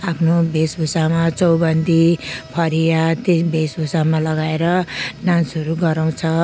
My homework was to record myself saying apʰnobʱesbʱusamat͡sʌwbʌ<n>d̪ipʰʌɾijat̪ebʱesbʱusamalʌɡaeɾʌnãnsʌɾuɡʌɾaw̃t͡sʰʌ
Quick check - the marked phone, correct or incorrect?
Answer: correct